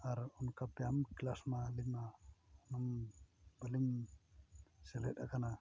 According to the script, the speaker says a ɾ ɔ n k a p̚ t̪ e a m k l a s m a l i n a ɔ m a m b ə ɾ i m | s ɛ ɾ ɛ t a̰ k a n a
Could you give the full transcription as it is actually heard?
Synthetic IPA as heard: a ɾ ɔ n k a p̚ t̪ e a m k l a s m a l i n a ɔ n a m b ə l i m | s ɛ l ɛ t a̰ k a n a